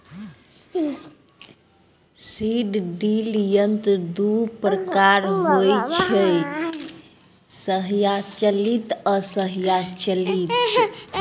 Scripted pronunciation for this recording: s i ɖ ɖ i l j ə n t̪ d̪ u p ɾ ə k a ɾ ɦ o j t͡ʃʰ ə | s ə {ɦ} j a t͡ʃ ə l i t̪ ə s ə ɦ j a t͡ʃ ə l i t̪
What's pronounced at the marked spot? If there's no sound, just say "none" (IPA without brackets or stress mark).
ɦ